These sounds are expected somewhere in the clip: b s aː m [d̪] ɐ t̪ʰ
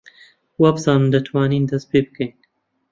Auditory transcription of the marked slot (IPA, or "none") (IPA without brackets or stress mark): d̪